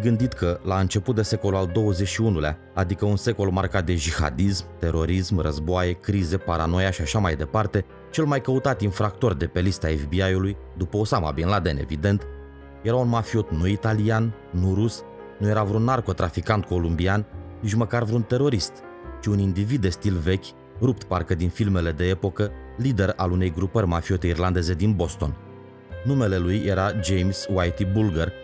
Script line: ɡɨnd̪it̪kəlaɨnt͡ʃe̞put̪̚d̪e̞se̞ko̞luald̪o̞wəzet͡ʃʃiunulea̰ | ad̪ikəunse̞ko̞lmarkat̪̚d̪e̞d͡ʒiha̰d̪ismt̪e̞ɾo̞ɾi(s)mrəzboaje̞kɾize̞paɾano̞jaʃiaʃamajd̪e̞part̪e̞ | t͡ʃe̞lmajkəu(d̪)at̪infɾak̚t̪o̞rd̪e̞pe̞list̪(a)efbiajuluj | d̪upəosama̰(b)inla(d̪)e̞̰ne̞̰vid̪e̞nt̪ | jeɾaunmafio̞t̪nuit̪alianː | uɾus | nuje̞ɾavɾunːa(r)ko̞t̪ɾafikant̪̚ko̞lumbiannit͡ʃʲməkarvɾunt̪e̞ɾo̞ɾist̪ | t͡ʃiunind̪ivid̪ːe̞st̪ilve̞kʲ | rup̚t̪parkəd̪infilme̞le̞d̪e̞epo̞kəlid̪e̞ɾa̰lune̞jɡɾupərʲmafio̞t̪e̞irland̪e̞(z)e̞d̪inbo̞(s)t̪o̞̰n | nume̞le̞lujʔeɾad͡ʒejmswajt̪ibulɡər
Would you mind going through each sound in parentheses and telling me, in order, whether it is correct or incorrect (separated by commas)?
correct, incorrect, correct, correct, correct, correct, correct, correct